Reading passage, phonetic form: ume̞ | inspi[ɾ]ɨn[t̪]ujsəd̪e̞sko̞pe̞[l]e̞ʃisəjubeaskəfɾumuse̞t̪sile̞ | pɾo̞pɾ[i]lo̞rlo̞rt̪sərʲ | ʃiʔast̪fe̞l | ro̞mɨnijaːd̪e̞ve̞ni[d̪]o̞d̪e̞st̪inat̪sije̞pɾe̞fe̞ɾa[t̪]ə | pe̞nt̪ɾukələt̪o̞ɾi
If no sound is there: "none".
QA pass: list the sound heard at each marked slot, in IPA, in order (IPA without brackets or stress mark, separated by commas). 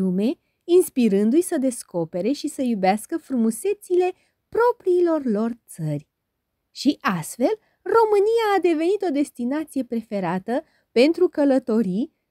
ɾ, d̪, ɾ, iː, t̪, t̪